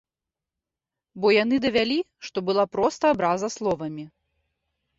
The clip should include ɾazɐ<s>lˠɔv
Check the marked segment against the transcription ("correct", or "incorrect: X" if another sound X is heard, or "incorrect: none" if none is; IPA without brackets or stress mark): correct